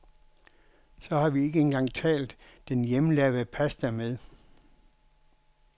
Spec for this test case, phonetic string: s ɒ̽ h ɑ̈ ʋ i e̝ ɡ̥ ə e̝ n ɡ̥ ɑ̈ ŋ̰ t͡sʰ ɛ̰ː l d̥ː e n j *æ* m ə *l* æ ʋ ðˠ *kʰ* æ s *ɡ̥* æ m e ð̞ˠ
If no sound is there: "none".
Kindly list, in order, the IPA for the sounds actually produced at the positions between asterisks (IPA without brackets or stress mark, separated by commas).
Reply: e, l, pʰ, d̥